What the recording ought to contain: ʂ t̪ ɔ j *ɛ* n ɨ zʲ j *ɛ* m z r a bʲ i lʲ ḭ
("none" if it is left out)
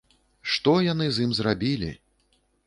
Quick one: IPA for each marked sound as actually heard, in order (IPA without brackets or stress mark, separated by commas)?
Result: a, i